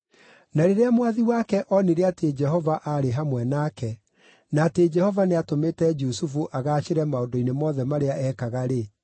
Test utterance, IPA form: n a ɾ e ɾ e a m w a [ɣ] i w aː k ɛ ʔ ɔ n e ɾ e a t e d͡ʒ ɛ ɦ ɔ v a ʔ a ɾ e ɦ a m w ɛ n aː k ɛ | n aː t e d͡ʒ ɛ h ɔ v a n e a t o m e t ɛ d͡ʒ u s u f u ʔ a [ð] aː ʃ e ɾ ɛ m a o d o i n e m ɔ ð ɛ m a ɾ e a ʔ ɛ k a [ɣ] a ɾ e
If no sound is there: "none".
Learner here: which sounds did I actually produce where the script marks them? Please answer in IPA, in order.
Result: ð, ɣ, ɣ

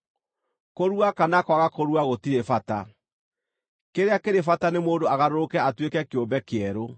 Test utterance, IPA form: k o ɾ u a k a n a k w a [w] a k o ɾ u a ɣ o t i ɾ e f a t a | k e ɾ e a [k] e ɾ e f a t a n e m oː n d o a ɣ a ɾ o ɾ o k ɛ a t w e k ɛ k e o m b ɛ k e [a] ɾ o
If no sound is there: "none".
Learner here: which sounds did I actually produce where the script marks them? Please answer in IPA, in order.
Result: ɣ, k, ɛ

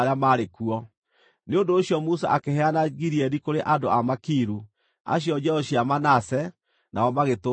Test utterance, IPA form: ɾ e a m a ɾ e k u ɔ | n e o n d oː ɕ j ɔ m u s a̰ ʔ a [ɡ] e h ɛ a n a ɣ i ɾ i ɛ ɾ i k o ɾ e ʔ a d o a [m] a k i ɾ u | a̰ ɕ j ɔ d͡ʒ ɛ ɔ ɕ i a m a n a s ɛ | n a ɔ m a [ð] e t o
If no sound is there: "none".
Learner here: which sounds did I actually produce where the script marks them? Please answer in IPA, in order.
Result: k, m, ɣ

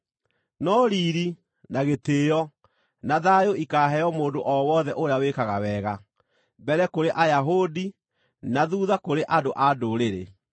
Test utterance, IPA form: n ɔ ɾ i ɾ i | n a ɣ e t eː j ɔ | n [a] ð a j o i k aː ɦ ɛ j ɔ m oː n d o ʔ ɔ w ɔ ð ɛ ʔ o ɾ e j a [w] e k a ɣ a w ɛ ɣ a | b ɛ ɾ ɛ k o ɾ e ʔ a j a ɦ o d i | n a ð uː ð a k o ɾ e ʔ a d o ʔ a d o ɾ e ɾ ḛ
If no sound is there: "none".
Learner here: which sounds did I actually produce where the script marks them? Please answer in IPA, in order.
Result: a, w

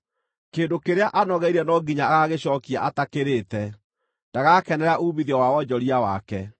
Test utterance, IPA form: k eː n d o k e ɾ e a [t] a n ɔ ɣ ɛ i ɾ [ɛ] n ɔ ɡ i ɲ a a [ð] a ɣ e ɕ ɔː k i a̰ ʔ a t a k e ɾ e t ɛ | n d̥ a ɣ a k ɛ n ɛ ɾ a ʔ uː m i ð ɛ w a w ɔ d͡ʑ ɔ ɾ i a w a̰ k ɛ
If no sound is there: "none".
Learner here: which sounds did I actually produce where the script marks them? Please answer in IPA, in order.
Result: ʔ, ɛ, ɣ

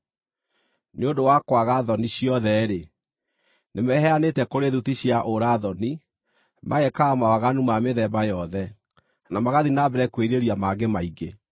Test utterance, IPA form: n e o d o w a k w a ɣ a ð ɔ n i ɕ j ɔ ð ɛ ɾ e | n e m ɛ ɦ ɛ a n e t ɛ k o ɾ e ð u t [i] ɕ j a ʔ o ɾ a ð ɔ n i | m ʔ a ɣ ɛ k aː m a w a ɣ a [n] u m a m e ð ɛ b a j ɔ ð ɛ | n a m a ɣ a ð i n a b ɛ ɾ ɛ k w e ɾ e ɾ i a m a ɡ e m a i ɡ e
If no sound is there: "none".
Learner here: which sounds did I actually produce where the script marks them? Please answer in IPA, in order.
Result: i, n

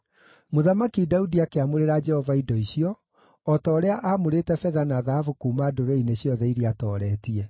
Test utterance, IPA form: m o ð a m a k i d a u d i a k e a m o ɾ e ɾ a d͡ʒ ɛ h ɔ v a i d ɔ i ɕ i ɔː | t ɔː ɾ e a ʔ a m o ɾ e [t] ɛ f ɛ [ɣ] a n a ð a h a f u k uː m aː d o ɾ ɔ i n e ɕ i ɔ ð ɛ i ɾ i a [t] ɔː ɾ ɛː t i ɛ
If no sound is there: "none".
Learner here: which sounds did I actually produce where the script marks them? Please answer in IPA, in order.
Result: t, ð, t

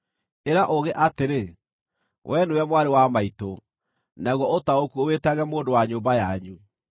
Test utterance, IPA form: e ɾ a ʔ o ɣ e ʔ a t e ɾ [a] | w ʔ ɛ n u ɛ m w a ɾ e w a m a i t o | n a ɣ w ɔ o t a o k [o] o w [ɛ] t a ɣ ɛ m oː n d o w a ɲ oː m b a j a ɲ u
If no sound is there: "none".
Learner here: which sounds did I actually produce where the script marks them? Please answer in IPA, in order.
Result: e, u, e

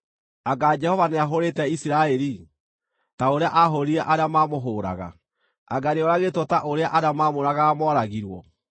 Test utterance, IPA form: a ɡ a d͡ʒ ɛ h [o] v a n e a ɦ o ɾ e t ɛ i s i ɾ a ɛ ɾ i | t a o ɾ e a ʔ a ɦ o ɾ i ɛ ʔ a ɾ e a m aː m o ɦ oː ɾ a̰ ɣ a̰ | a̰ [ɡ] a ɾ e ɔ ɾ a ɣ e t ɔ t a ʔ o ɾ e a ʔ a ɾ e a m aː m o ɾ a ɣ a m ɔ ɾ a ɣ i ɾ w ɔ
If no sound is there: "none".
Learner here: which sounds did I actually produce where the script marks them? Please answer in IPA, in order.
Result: ɔ, ɡ

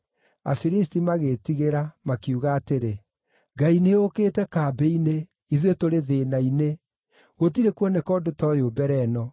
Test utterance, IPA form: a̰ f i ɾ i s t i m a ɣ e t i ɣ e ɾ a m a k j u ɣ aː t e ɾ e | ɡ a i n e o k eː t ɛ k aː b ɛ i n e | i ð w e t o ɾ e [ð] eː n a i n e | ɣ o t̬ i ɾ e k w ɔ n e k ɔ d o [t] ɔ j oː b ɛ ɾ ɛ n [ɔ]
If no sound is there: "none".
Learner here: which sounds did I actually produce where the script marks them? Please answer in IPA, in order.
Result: ð, t, ɔ

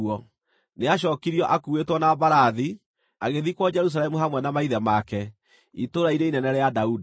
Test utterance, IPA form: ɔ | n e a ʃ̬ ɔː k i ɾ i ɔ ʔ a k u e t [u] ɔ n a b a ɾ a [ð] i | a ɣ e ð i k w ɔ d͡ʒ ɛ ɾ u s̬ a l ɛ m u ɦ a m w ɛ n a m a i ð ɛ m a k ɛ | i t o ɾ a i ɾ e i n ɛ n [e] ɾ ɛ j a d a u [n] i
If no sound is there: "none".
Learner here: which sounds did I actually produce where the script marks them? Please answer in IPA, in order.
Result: w, ð, ɛ, d

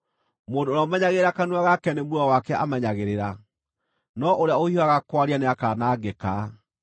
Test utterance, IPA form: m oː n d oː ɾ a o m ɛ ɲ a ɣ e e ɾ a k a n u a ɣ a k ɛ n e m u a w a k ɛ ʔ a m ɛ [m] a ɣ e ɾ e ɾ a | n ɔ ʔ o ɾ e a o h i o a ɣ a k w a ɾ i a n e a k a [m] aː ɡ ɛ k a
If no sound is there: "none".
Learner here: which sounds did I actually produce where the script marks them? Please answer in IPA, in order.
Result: ɲ, n

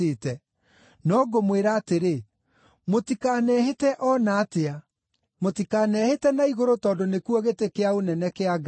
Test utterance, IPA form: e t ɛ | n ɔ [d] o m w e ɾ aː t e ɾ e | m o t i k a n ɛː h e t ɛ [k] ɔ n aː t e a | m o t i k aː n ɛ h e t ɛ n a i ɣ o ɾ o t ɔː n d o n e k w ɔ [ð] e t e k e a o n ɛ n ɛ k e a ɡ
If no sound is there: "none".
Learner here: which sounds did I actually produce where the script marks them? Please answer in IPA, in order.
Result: ɡ, ʔ, ɣ

